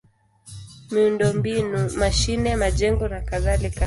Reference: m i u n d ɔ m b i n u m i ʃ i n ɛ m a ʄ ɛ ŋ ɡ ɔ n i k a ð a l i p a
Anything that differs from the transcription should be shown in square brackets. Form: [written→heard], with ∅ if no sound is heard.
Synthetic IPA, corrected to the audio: m i u n d ɔ m b i n u m [i→a] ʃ i n ɛ m a ʄ ɛ ŋ ɡ ɔ n [i→a] k a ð a l i [p→k] a